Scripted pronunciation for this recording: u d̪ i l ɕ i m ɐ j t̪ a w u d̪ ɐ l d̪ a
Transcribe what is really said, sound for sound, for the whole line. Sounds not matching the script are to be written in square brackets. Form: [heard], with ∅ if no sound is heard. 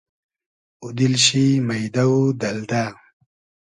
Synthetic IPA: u d̪ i l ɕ i m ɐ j [d̪] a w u d̪ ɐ l d̪ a